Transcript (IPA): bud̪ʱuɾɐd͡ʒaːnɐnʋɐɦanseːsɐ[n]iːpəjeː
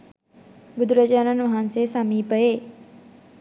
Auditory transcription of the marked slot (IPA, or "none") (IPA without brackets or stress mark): m